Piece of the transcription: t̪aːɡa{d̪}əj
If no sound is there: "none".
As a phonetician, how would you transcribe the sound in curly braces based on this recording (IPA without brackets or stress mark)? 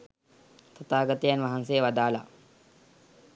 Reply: t̪